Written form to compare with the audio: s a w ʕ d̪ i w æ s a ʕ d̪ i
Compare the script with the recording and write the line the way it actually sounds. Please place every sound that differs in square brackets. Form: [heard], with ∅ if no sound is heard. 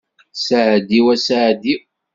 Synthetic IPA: s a [∅] ʕ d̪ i w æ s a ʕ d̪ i